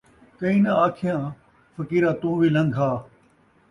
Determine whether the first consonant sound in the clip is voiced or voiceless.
voiceless